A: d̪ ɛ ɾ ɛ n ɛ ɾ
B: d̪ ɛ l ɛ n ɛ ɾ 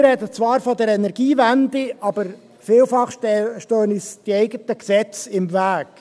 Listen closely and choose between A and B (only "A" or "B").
A